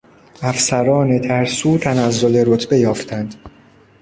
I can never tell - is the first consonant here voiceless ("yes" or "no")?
yes